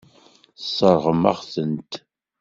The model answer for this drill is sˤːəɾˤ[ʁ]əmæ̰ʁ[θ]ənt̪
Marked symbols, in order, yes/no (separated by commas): yes, yes